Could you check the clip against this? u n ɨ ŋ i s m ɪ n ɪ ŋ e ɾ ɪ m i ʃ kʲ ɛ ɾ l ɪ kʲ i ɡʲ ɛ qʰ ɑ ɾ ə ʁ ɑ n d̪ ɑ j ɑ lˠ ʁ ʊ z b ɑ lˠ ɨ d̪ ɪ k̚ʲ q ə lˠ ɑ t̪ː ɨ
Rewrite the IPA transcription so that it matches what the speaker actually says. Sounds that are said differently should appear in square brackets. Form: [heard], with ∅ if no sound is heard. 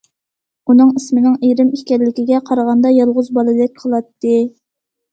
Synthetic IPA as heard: u n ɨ ŋ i s m ɪ n ɪ ŋ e ɾ ɪ m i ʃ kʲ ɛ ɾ l ɪ kʲ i ɡʲ ɛ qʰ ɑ ɾ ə ʁ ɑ n d̪ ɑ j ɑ lˠ ʁ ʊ z b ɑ lˠ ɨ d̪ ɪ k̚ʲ [qʰ] ə lˠ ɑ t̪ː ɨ